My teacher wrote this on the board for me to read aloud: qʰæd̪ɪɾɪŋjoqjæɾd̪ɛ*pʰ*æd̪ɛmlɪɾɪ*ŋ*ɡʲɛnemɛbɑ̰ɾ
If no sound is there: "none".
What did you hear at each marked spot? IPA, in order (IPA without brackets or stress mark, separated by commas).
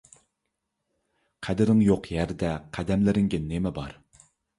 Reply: qʰ, ŋ